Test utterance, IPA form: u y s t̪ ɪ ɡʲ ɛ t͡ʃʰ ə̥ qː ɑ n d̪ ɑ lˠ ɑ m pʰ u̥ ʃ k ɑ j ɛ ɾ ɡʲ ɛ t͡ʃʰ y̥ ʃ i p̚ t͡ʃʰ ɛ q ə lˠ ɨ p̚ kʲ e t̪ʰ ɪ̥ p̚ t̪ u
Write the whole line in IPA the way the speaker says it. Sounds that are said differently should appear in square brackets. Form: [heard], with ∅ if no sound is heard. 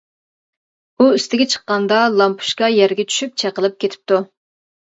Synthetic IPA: u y s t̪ ɪ ɡʲ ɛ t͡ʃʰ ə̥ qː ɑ n d̪ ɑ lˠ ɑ m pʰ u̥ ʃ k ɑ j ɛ ɾ ɡʲ ɛ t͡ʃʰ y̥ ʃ [y] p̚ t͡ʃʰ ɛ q ə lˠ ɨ p̚ kʲ e t̪ʰ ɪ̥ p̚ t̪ u